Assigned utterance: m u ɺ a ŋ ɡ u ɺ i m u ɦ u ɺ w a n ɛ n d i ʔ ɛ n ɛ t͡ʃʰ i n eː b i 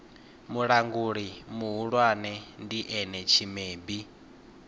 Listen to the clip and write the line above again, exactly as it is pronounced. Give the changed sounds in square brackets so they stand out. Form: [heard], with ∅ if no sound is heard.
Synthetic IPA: m u ɺ a ŋ ɡ u ɺ i m u ɦ u ɺ w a n ɛ n d i ʔ ɛ n ɛ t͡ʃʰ i [m] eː b i